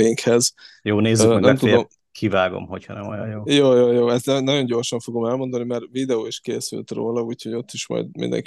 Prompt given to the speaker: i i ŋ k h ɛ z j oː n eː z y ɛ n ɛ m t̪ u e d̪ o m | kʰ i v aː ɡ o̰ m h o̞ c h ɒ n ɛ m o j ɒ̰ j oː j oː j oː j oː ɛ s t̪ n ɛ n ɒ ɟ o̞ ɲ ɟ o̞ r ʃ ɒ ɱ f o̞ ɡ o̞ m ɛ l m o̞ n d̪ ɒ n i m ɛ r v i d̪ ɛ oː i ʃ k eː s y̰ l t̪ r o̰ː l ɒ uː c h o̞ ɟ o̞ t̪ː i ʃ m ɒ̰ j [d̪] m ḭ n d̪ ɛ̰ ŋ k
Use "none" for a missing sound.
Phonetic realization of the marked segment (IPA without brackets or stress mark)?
d̪